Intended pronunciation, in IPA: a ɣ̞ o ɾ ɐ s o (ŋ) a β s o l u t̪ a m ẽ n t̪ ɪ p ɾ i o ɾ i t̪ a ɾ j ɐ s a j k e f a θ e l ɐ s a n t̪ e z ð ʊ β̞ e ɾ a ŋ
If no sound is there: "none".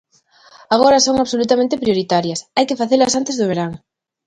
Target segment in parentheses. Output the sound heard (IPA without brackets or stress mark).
ŋ